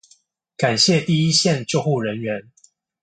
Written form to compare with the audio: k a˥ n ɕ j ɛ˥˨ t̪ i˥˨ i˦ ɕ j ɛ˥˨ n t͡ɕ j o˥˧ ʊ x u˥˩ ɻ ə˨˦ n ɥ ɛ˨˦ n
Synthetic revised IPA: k a˨˩ n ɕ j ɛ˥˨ t̪ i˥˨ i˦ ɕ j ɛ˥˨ n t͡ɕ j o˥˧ ʊ x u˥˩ ɻ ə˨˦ n ɥ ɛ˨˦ n